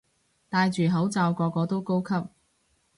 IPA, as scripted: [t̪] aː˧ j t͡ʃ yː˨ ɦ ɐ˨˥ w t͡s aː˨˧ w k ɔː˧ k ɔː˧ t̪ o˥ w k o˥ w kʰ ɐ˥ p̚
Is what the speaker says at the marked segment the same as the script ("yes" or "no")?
yes